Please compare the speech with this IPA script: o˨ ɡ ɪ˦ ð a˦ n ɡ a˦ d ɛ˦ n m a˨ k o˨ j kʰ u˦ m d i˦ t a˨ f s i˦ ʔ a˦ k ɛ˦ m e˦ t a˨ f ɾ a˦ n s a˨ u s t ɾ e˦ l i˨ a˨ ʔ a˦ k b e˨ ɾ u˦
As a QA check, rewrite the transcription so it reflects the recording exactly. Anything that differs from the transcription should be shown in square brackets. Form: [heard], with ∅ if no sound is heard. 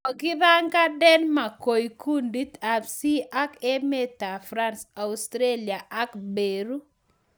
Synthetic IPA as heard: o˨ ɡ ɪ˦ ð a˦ [ŋ] ɡ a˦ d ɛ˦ n m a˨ k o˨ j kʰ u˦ [n] d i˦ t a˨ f s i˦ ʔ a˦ k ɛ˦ m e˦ t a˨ f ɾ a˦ n s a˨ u s t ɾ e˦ l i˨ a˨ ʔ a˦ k b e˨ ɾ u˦